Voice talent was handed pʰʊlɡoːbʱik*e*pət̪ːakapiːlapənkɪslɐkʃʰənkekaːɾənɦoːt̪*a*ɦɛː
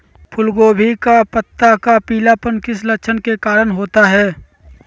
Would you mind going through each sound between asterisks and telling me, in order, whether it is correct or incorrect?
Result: incorrect: a, correct

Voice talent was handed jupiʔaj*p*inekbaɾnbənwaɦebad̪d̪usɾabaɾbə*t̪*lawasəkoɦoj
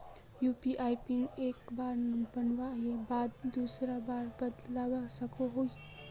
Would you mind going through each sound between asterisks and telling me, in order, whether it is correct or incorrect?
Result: correct, incorrect: d̪

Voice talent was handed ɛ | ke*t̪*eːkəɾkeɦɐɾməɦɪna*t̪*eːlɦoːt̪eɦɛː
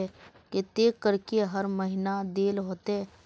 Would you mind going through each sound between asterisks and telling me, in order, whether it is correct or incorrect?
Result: correct, incorrect: d̪

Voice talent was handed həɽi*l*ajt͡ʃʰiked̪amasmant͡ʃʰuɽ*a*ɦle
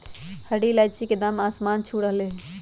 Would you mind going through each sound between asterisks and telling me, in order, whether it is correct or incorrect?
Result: correct, incorrect: ə

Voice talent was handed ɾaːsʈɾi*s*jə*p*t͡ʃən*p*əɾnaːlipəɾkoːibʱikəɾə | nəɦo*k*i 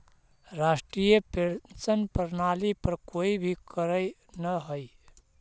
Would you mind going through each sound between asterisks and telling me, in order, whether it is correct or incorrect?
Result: incorrect: none, correct, correct, incorrect: none

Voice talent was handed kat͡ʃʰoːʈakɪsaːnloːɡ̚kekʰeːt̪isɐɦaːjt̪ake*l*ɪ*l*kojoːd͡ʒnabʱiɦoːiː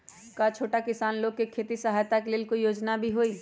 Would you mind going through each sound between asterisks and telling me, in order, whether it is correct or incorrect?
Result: correct, correct

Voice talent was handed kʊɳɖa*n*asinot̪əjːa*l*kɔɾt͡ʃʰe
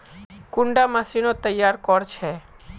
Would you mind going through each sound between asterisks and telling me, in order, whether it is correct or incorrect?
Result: incorrect: m, incorrect: ɾ

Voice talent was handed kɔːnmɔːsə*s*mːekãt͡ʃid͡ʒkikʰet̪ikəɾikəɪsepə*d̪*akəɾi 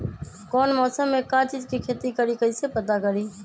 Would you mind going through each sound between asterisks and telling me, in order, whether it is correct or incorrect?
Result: incorrect: none, incorrect: t̪

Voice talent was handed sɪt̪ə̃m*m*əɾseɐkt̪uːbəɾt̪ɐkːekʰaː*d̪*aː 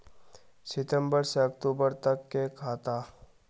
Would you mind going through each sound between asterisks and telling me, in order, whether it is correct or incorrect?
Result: incorrect: b, incorrect: t̪

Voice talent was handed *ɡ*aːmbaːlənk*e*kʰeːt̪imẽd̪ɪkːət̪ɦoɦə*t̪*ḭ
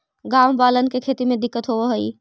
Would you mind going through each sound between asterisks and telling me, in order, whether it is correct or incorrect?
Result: correct, correct, incorrect: none

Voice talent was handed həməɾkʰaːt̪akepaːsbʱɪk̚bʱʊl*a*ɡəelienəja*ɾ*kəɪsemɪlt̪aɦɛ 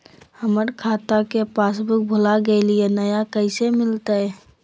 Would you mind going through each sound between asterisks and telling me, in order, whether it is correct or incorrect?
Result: correct, incorrect: none

